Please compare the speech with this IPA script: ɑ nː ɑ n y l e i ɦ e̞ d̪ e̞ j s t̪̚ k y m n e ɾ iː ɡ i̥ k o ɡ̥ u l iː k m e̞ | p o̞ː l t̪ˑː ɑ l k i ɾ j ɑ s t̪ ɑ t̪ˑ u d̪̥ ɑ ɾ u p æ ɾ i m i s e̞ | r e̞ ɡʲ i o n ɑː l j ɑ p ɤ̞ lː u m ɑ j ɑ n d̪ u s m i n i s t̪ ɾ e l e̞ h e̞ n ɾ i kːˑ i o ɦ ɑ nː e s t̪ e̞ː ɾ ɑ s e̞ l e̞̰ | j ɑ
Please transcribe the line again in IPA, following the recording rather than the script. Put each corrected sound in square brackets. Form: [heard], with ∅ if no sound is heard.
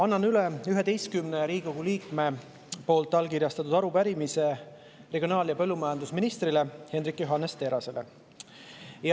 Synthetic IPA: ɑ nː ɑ n y l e [y] ɦ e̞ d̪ e̞ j s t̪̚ k y m n e ɾ iː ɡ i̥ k o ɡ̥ u l iː k m e̞ | p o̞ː l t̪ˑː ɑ l k i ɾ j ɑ s t̪ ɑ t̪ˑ u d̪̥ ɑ ɾ u p æ ɾ i m i s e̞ | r e̞ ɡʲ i o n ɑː l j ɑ p ɤ̞ lː u m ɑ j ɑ n d̪ u s m i n i s t̪ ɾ [i] l e̞ h e̞ n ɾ i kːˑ [j] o ɦ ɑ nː e s t̪ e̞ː ɾ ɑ s e̞ l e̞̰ | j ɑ